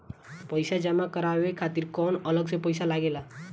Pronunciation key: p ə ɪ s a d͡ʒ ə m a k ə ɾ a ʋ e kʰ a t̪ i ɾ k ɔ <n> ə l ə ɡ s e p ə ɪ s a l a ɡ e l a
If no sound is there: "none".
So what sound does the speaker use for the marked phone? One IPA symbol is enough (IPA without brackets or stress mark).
n